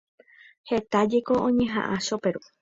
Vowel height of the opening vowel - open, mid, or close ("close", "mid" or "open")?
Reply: mid